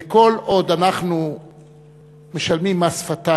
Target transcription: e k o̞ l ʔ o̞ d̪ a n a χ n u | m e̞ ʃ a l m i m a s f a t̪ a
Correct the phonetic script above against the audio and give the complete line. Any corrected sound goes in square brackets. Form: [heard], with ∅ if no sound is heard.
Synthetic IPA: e k o̞ l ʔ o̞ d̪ a n a χ n u | m e̞ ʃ a l m i m a s f a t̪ a